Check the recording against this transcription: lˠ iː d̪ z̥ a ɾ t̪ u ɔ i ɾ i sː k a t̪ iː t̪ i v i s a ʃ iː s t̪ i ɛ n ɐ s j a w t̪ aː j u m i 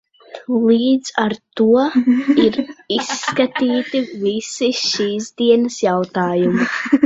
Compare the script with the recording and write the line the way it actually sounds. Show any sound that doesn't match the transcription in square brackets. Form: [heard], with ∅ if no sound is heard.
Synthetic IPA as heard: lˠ iː d̪ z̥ a ɾ t̪ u ɔ i ɾ i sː k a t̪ iː t̪ i v i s [i] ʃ iː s [d̪] i ɛ n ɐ s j a w t̪ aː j u m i